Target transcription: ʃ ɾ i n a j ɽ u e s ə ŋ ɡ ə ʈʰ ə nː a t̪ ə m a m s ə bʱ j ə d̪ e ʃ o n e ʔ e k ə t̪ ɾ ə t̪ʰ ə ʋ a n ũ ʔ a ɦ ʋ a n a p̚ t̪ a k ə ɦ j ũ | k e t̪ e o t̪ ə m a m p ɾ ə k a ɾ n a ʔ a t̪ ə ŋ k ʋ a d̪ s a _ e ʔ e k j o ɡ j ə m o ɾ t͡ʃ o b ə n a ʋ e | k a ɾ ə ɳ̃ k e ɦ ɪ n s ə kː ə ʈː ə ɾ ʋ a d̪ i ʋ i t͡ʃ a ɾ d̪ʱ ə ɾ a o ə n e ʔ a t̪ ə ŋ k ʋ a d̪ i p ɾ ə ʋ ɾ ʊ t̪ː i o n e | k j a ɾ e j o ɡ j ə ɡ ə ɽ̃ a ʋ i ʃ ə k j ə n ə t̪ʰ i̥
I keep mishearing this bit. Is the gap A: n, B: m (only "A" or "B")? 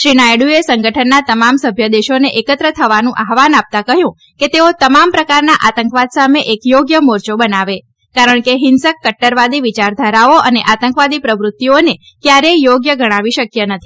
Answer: B